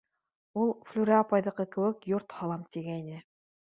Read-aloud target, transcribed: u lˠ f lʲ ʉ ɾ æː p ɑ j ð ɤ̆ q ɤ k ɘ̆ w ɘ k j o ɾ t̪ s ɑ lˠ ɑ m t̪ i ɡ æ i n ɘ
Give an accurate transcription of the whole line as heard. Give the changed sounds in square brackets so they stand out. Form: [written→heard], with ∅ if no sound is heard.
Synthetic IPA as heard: u lˠ f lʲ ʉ ɾ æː p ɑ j ð ɤ̆ q ɤ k ɘ̆ w ɘ k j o ɾ t̪ [s→h] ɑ lˠ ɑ m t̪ i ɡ æ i n ɘ